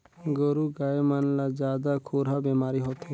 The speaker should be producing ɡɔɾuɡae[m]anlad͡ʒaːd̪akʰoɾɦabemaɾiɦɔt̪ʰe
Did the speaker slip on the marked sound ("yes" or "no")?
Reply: no